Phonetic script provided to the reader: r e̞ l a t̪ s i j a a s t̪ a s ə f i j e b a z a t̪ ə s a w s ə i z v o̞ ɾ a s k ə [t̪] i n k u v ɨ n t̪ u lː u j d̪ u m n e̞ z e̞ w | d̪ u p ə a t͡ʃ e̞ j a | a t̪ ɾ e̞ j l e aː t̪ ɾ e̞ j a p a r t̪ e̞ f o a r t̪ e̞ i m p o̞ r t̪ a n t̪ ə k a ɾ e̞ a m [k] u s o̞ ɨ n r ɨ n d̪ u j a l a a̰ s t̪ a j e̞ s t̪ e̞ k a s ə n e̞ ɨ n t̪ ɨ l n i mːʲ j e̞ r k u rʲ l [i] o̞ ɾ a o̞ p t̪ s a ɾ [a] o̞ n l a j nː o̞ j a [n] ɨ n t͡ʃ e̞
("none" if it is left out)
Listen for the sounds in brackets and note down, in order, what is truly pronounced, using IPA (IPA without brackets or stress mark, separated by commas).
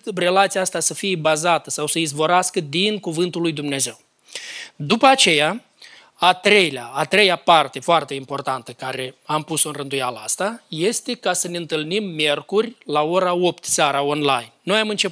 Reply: d̪, p, a, a, m